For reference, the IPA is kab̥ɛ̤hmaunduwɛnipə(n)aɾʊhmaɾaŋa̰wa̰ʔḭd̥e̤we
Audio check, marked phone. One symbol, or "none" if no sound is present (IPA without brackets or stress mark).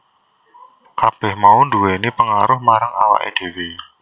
ŋ